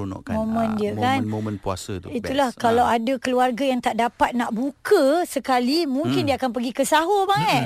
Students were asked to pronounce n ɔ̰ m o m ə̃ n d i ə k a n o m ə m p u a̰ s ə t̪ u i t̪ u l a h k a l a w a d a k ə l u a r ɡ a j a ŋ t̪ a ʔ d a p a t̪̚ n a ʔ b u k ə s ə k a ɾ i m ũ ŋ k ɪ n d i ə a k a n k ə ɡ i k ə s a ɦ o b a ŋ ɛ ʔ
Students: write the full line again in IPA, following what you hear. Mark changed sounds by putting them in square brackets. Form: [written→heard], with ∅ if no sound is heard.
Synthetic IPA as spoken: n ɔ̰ m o m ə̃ n d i ə k a n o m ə [m→n] p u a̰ s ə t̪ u i t̪ u l a h k a l a w a d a k ə l u a r ɡ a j a ŋ t̪ a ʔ d a p a t̪̚ n a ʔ b u k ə s ə k a [ɾ→l] i m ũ ŋ k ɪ n d i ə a k a n [k→p] ə ɡ i k ə s a ɦ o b a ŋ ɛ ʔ